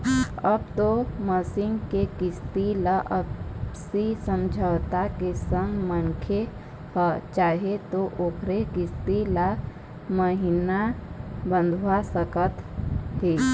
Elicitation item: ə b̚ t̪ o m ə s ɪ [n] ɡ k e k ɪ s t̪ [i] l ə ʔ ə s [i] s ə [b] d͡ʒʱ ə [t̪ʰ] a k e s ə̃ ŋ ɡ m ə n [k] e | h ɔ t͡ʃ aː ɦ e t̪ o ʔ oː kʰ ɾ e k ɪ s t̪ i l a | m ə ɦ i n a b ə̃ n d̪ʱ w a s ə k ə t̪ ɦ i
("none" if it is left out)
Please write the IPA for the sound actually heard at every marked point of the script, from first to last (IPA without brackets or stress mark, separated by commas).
ŋ, i, i, m, t̪, kʰ